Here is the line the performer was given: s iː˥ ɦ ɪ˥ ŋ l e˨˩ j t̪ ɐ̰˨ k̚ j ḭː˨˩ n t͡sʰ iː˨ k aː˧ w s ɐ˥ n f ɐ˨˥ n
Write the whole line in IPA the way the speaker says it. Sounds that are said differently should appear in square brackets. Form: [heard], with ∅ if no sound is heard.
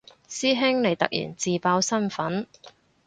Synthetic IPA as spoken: s iː˥ ɦ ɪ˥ ŋ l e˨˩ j t̪ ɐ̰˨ k̚ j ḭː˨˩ n [t͡s] iː˨ [p] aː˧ w s ɐ˥ n f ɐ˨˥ n